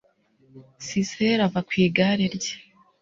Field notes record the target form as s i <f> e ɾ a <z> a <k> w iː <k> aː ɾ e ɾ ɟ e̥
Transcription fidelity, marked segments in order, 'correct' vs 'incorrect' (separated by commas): incorrect, incorrect, correct, incorrect